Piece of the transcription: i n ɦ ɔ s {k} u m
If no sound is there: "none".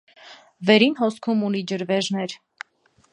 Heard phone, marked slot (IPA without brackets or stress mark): kʰ